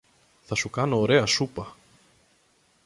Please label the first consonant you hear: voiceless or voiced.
voiceless